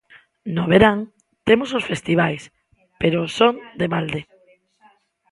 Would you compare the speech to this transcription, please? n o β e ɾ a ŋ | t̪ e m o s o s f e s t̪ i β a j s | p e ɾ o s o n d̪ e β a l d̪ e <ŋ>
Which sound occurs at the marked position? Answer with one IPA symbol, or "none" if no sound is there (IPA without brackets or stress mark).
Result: none